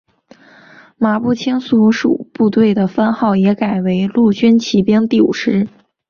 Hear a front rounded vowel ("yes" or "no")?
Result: yes